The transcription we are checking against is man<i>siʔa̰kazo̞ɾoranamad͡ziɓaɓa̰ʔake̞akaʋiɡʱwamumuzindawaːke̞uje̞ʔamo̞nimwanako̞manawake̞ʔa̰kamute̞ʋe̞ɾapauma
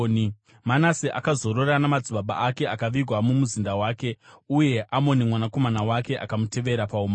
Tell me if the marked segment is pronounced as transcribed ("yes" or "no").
no